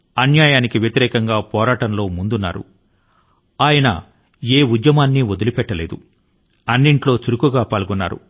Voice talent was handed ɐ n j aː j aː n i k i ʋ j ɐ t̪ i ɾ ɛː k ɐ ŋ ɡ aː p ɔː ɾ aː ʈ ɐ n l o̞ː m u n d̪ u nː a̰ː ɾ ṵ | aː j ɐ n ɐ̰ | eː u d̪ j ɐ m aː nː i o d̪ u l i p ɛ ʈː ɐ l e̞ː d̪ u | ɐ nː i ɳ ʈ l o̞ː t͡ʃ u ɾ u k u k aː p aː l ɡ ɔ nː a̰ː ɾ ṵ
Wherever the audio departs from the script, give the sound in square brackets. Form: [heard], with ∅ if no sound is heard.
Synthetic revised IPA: ɐ n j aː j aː n i k i ʋ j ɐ t̪ i ɾ ɛː k ɐ ŋ ɡ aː p ɔː ɾ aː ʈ ɐ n l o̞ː m u n d̪ u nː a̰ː ɾ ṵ | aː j ɐ n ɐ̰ | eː u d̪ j ɐ m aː nː i o d̪ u l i p ɛ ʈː ɐ l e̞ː d̪ u | ɐ nː i ɳ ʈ l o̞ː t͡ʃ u ɾ u k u [ɡ] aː p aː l ɡ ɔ nː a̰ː ɾ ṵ